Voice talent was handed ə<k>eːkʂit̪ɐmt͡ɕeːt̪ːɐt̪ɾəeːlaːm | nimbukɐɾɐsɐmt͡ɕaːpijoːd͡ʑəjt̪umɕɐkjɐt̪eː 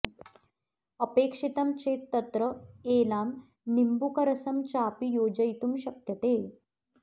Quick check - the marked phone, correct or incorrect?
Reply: incorrect